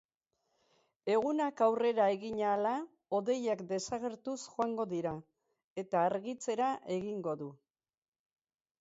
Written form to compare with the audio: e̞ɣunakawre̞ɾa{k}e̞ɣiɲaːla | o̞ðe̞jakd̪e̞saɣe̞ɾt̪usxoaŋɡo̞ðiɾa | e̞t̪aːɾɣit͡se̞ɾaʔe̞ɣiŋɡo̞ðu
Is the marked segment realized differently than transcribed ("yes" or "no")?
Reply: yes